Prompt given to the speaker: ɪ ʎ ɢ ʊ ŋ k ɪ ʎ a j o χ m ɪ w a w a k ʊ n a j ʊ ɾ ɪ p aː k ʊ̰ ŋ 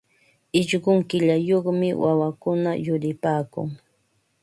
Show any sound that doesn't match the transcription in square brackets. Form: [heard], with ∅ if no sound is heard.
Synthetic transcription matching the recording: ɪ ʎ ɢ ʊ ŋ k ɪ ʎ a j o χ m ɪ w a w a k ʊ n a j ʊ ɾ ɪ p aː k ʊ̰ ŋ